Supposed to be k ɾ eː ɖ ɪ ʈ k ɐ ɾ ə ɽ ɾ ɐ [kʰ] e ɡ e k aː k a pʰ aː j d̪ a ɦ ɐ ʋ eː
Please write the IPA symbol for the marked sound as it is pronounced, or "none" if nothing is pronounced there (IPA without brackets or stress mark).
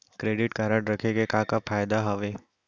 kʰ